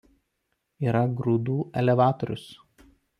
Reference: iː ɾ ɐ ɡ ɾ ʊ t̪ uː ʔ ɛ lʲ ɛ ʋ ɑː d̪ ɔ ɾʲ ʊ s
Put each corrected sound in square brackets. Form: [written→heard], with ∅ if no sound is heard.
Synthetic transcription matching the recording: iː ɾ ɐ ɡ ɾ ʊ [t̪→d̪] uː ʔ ɛ lʲ ɛ ʋ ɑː [d̪→t̪] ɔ ɾʲ ʊ s